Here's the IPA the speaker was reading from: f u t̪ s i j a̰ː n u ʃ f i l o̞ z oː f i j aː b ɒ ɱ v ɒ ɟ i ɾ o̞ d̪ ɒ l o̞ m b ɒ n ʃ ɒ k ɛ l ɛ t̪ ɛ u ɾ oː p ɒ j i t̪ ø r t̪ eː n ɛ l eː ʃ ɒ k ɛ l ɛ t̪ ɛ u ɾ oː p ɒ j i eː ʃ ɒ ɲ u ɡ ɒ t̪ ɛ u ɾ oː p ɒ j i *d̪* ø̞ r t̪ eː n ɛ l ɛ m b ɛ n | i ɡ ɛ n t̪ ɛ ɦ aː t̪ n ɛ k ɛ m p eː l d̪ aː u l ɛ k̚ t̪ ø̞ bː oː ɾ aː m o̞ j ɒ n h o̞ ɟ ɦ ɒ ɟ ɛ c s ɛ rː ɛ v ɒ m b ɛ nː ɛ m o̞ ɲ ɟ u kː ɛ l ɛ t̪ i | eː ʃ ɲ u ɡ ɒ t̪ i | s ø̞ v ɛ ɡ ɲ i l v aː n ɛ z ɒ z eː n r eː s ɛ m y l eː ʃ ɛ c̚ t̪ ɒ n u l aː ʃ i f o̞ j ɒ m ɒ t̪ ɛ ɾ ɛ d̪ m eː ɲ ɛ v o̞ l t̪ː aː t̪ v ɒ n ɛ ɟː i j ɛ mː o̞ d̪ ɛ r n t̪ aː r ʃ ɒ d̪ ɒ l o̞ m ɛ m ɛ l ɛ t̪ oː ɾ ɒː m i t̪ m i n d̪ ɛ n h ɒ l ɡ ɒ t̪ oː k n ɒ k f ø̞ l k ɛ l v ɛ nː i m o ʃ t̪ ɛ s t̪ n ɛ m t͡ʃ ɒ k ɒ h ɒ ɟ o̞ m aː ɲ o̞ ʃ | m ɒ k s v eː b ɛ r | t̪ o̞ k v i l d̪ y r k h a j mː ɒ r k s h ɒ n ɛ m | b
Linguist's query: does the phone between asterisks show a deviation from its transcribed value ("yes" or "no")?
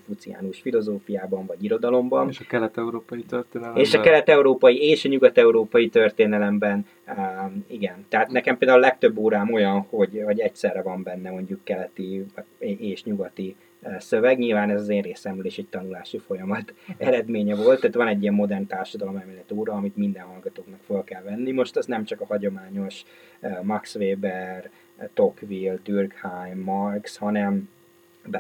yes